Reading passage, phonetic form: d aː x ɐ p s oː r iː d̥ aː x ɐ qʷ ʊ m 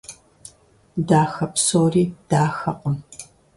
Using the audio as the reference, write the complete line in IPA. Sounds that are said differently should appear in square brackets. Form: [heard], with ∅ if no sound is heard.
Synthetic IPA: d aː x ɐ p s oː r iː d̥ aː x ɐ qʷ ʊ m